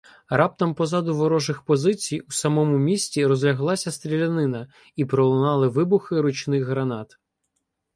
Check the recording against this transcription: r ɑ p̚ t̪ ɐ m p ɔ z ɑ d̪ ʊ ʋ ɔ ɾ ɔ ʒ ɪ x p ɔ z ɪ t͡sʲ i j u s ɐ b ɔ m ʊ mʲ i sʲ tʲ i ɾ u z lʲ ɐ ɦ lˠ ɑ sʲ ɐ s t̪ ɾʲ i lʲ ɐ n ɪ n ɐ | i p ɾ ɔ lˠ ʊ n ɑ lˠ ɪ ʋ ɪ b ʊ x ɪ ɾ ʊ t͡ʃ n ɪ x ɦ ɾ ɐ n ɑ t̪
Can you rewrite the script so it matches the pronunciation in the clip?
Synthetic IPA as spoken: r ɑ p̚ t̪ ɐ m p ɔ z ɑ d̪ ʊ ʋ ɔ ɾ ɔ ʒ ɪ x p ɔ z ɪ t͡sʲ i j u s ɐ m ɔ m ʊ mʲ i sʲ tʲ i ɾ ɔ z lʲ ɐ ɦ lˠ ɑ sʲ ɐ s t̪ ɾʲ i lʲ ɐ n ɪ n ɐ | i p ɾ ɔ lˠ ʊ n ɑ lˠ ɪ ʋ ɪ b ʊ x ɪ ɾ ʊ t͡ʃ n ɪ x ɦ ɾ ɐ n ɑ t̪